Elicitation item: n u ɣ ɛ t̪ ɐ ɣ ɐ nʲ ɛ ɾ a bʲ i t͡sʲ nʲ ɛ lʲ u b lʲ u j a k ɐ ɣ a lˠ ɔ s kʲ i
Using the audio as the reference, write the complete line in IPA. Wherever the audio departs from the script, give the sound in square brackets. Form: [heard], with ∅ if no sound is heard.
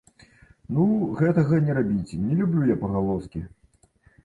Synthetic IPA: n u ɣ ɛ t̪ ɐ ɣ ɐ nʲ ɛ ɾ a bʲ i t͡sʲ nʲ ɛ lʲ u b lʲ u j a [p] ɐ ɣ a lˠ ɔ s kʲ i